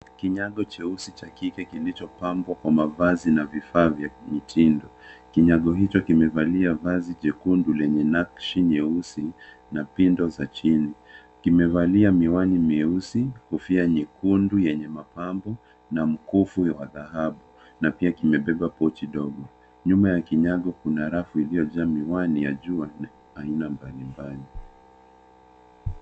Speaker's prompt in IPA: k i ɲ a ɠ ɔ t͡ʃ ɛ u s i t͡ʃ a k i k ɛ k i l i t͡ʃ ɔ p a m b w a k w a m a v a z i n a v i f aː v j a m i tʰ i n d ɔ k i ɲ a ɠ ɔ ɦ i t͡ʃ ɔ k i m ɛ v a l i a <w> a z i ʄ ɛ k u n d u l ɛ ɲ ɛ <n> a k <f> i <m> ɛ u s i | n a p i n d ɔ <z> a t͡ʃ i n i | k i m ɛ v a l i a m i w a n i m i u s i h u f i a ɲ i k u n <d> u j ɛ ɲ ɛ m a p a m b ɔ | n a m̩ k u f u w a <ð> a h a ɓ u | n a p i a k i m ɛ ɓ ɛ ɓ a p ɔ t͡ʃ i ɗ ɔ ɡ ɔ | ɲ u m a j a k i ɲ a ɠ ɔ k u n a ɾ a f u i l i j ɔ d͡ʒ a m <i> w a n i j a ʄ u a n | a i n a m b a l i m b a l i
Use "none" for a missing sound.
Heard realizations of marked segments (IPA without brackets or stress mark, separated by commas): v, n, ʃ, ɲ, z, d, ð, i